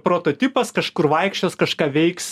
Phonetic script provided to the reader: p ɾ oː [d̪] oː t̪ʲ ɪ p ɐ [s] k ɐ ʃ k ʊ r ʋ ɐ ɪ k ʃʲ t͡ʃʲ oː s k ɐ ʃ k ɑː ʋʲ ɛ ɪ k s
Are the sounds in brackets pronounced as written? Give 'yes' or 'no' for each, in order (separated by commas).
no, yes